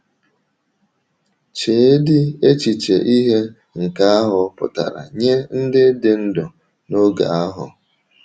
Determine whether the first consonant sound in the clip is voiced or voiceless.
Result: voiceless